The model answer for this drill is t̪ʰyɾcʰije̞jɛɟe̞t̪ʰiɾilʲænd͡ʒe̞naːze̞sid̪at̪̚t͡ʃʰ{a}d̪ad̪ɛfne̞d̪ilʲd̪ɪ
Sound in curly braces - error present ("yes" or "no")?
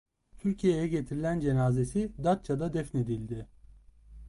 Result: no